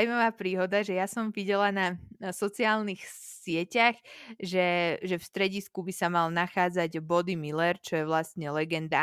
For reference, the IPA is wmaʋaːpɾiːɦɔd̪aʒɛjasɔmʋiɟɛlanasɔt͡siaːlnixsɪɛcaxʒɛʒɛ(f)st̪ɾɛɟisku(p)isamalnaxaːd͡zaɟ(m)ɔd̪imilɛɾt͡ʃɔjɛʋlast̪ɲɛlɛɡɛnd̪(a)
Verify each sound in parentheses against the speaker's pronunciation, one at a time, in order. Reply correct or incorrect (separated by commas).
correct, incorrect, incorrect, correct